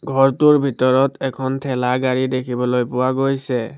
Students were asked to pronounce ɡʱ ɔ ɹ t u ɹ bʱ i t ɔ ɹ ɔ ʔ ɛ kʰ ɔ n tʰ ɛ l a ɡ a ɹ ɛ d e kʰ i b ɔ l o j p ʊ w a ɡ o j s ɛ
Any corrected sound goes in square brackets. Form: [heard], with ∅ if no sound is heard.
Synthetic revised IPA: ɡʱ ɔ ɹ t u ɹ bʱ i t ɔ ɹ ɔ [t] ɛ kʰ ɔ n tʰ ɛ l a ɡ a ɹ [i] d e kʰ i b ɔ l o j p ʊ w a ɡ o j s ɛ